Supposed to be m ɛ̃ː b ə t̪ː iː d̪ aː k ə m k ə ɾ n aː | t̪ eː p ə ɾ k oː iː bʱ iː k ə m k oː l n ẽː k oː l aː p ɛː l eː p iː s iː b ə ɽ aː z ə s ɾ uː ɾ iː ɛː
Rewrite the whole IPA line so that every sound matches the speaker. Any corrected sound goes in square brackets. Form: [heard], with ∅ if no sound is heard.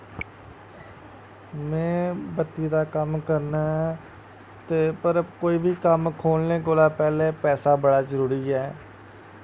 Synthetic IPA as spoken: m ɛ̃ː b ə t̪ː iː d̪ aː k ə m k ə ɾ n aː | t̪ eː p ə ɾ k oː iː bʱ iː k ə m [kʰ] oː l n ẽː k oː l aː p ɛː l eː p [ɛː] s [aː] b ə ɽ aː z ə [∅] ɾ uː ɾ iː ɛː

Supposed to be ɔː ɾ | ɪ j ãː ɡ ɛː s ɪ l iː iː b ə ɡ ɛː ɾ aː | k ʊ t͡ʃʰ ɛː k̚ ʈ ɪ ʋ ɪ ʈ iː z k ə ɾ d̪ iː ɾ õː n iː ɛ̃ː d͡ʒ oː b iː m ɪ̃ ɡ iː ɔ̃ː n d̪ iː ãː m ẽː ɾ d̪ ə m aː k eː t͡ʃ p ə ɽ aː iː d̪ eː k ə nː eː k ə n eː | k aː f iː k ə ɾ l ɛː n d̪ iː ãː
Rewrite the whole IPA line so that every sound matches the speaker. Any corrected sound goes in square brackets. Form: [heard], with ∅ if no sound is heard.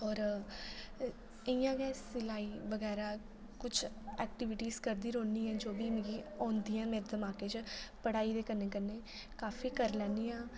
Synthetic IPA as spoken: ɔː ɾ | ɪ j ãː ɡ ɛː s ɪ l [aː] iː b ə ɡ ɛː ɾ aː | k ʊ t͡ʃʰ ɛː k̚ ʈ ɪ ʋ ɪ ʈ iː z k ə ɾ d̪ iː ɾ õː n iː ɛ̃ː d͡ʒ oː b iː m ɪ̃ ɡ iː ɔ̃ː n d̪ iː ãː m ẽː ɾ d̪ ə m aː k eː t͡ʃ p ə ɽ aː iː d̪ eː k ə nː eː k ə n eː | k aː f iː k ə ɾ l ɛː n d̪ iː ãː

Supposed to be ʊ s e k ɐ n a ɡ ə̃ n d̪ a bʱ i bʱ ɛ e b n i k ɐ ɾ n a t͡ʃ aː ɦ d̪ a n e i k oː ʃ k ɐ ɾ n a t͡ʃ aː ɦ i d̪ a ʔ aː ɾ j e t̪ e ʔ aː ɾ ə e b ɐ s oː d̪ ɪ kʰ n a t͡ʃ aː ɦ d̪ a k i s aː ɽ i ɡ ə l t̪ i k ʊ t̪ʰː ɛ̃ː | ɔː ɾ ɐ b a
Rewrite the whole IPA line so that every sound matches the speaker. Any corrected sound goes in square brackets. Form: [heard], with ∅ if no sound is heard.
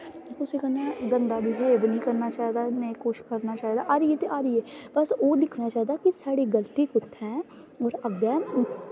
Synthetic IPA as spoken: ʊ s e k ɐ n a ɡ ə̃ n d̪ a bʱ i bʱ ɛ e b n i k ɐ ɾ n a t͡ʃ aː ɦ d̪ a n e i k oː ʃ k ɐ ɾ n a t͡ʃ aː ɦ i d̪ a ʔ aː ɾ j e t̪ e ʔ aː ɾ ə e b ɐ s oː d̪ ɪ kʰ n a t͡ʃ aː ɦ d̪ a k i s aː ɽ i ɡ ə l t̪ i k ʊ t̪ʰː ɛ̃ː | ɔː ɾ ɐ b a

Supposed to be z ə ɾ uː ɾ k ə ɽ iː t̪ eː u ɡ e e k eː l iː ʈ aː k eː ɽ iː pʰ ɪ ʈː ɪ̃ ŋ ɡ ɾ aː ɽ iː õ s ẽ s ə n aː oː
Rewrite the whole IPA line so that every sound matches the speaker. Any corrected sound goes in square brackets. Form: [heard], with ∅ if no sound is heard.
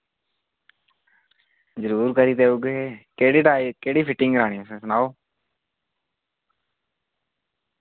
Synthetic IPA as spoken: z ə ɾ uː ɾ k ə [ɾ] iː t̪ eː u ɡ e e k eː [ɽ] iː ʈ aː k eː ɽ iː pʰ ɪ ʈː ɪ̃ ŋ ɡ ɾ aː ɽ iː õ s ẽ s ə n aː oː

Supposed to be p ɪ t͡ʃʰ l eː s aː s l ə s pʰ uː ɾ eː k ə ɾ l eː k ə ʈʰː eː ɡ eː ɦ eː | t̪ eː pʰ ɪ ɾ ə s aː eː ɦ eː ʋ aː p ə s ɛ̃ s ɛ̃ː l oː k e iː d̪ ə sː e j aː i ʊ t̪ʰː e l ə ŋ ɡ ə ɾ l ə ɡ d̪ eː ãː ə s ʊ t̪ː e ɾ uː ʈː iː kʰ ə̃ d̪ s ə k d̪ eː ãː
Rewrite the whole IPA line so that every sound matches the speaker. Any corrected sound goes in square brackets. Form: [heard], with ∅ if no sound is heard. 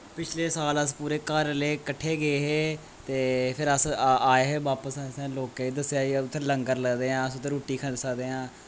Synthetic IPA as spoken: p ɪ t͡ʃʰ l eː s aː [∅] l ə s [p] uː ɾ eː k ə ɾ l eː k ə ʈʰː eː ɡ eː ɦ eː | t̪ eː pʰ ɪ ɾ ə s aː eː ɦ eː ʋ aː p ə s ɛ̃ s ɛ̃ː l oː k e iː d̪ ə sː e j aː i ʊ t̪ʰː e l ə ŋ ɡ ə ɾ l ə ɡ d̪ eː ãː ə s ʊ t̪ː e ɾ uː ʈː iː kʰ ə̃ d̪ s ə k d̪ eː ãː

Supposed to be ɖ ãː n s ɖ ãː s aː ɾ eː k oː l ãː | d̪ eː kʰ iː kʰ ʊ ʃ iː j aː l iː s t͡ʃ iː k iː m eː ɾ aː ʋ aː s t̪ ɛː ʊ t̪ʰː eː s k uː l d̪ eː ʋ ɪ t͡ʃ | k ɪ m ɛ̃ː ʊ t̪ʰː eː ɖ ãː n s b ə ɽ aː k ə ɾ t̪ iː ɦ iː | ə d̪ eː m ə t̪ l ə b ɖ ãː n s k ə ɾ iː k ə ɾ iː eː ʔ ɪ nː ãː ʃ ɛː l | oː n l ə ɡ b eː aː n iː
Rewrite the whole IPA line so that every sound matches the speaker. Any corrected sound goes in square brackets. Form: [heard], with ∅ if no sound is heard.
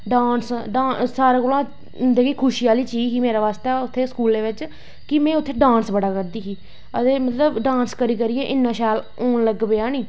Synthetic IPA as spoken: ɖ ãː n s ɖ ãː s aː ɾ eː k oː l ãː | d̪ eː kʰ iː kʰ ʊ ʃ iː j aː l iː [∅] t͡ʃ iː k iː m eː ɾ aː ʋ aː s t̪ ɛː ʊ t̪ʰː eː s k uː l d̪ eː ʋ ɪ t͡ʃ | k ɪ m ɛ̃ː ʊ t̪ʰː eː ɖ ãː n s b ə ɽ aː k ə ɾ [d̪] iː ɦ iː | ə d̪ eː m ə t̪ l ə b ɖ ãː n s k ə ɾ iː k ə ɾ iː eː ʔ ɪ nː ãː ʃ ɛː l | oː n l ə ɡ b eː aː n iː

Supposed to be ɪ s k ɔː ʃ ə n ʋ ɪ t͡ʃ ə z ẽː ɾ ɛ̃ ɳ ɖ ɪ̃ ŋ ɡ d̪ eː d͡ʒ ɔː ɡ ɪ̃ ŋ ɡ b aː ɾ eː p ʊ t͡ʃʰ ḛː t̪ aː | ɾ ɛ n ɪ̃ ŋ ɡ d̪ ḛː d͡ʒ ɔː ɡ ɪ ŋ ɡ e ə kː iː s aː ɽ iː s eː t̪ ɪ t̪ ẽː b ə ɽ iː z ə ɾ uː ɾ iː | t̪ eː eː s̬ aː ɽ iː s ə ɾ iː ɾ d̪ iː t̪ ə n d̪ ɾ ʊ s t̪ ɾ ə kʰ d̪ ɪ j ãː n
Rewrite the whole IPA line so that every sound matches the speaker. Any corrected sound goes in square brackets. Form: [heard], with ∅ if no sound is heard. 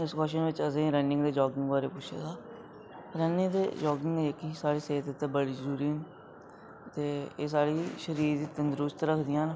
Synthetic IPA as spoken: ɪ s k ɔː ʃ ə n ʋ ɪ t͡ʃ ə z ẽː ɾ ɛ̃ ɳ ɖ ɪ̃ ŋ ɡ d̪ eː d͡ʒ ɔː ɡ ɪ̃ ŋ ɡ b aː ɾ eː p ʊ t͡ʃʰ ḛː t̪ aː | ɾ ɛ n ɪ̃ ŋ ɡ d̪ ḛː d͡ʒ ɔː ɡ ɪ ŋ ɡ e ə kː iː s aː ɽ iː s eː t̪ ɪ t̪ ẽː b ə ɽ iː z ə ɾ uː ɾ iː | t̪ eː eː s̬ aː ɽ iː [ʃ] ə ɾ iː ɾ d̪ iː t̪ ə n d̪ ɾ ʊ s t̪ ɾ ə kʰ d̪ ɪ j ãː n

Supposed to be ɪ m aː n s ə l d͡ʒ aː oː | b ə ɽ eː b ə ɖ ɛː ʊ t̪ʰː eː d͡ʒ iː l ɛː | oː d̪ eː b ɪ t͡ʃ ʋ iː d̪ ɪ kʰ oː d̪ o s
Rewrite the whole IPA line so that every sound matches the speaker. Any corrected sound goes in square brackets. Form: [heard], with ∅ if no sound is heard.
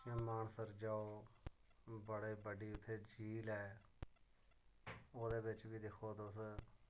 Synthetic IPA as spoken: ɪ m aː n s ə [ɾ] d͡ʒ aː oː | b ə ɽ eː b ə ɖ [iː] ʊ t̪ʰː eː d͡ʒ iː l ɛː | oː d̪ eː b ɪ t͡ʃ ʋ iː d̪ ɪ kʰ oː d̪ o s

